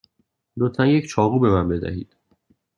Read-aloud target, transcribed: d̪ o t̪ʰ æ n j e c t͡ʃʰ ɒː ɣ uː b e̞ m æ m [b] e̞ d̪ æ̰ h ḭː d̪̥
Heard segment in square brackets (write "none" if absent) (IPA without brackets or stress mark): b